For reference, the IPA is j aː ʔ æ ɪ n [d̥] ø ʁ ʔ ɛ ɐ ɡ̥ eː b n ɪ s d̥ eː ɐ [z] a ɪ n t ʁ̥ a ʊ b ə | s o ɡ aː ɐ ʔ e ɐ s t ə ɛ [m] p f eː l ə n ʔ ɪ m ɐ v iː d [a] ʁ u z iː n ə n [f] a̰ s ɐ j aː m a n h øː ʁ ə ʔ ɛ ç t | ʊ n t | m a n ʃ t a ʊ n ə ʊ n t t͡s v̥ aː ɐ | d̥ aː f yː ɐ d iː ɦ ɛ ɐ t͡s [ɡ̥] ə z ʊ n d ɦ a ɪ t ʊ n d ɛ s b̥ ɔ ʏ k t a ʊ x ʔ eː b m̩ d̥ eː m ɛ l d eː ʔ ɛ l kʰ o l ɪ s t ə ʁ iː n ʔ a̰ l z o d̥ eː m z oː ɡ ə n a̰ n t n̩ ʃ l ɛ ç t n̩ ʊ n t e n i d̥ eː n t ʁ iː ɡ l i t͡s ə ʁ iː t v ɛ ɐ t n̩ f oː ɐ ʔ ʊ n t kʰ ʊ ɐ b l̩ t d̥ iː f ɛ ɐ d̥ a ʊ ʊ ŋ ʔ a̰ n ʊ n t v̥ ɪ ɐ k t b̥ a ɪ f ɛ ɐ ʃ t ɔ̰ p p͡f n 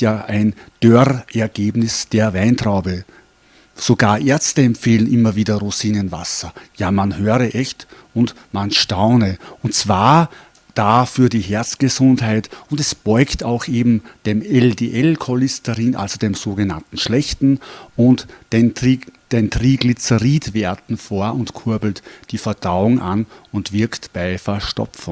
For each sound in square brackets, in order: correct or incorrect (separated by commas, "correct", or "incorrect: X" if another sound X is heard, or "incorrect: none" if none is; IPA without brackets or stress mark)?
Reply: correct, incorrect: v, correct, incorrect: ɐ, incorrect: v, correct